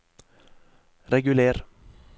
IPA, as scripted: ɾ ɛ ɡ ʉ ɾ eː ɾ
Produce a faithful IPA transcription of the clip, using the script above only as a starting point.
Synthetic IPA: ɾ ɛ ɡ ʉ l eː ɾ